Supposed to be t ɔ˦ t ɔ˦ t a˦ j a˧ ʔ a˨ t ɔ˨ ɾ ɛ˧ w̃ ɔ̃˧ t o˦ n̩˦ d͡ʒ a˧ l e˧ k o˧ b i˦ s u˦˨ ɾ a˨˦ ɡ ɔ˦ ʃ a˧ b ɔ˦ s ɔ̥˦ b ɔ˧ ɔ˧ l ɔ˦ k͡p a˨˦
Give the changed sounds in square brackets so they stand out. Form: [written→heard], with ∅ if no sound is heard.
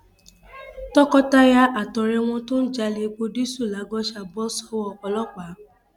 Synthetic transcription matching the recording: t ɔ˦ [t→k] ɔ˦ t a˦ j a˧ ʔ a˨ t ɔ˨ ɾ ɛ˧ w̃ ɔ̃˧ t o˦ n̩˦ d͡ʒ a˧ l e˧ [k→k͡p] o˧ [b→d] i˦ s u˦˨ [ɾ→l] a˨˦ ɡ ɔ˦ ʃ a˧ b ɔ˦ s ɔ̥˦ [b→w] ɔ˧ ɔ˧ l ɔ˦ k͡p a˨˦